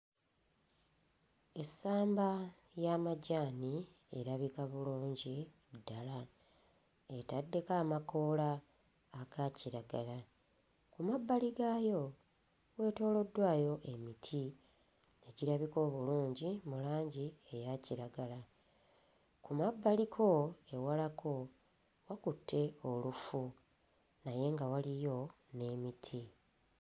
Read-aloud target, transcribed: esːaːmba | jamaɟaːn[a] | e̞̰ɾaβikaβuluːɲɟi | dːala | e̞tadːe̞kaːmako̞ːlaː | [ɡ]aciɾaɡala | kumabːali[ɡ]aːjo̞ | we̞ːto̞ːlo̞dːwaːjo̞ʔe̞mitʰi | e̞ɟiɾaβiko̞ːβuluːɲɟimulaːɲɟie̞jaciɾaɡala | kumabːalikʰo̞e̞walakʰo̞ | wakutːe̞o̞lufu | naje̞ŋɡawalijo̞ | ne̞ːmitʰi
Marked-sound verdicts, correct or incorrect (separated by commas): incorrect, correct, correct